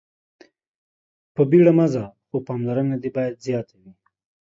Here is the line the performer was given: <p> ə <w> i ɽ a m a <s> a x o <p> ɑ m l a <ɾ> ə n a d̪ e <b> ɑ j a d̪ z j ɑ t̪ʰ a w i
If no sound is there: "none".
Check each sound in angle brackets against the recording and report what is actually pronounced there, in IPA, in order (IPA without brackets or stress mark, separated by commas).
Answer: p, b, z, p, ɾ, b